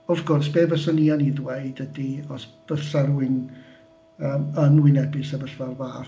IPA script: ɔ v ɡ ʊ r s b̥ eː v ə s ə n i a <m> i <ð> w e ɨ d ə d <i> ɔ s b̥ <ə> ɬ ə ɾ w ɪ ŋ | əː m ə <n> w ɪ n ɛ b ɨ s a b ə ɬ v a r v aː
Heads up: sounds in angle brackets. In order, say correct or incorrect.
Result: incorrect, correct, correct, correct, correct

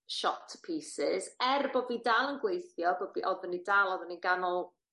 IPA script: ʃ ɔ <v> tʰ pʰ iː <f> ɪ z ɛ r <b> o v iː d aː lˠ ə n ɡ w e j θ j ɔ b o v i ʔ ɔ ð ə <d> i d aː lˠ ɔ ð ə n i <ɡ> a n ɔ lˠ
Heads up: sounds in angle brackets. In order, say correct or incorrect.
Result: incorrect, incorrect, correct, incorrect, correct

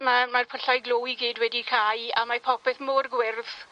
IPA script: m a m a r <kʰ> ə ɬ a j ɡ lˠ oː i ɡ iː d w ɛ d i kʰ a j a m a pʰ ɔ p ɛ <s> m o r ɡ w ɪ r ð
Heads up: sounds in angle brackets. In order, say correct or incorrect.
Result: incorrect, incorrect

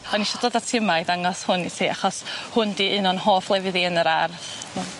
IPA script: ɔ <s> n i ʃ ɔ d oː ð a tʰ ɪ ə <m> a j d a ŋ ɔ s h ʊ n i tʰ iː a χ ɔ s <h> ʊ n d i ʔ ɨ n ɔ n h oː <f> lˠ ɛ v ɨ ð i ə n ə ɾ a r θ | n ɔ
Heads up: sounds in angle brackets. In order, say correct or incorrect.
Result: incorrect, correct, correct, correct

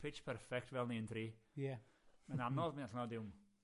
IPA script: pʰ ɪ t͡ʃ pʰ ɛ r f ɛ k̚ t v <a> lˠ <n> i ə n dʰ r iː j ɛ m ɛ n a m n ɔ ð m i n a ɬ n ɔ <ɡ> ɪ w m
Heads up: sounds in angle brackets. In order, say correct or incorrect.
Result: incorrect, correct, incorrect

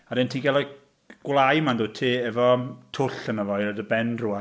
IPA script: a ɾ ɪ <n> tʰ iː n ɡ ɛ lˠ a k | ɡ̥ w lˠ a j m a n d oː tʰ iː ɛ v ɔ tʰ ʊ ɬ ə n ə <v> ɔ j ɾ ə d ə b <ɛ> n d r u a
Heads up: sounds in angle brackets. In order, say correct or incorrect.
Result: correct, correct, correct

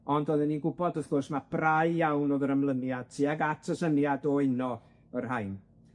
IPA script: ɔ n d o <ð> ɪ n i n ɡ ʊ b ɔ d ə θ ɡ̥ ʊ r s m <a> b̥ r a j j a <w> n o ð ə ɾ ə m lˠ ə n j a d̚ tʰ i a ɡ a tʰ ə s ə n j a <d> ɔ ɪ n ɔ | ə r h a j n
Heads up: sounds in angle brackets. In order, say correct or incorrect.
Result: correct, correct, correct, correct

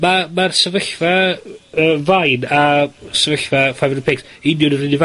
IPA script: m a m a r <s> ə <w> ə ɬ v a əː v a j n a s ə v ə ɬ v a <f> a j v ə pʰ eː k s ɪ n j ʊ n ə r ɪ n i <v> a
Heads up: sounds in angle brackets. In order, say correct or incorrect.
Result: correct, incorrect, correct, correct

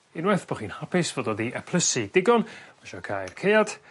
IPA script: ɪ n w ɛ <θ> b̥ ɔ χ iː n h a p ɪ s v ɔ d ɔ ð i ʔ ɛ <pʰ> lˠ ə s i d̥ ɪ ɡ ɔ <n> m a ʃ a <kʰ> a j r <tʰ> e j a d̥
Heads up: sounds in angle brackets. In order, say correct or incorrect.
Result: correct, correct, correct, correct, incorrect

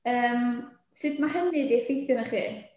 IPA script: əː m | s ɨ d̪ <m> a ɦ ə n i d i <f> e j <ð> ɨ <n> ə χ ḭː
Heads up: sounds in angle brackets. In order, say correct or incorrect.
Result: correct, correct, incorrect, correct

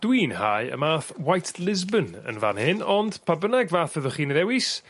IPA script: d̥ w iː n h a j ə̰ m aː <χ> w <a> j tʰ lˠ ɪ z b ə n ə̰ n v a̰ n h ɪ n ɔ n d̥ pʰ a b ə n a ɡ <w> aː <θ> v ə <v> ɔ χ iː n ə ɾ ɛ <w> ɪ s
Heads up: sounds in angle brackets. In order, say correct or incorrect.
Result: incorrect, correct, incorrect, correct, incorrect, correct

